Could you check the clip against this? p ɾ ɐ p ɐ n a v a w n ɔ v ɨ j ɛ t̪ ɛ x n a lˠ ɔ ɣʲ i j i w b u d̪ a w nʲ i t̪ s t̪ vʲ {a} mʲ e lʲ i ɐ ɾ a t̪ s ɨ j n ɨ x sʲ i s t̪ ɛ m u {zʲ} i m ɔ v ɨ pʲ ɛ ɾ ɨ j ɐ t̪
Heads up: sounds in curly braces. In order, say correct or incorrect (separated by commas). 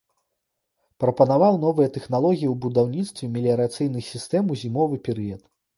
incorrect, correct